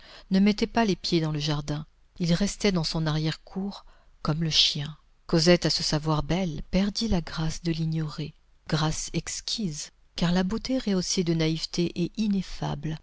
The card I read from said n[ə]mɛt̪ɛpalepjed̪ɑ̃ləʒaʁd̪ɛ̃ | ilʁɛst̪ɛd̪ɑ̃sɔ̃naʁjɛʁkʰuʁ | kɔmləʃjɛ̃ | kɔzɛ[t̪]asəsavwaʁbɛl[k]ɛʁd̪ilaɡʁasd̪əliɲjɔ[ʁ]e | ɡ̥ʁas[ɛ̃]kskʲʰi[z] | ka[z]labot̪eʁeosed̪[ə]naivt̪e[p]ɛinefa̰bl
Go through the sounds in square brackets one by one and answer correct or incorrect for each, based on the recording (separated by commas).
correct, correct, incorrect, correct, incorrect, correct, incorrect, correct, incorrect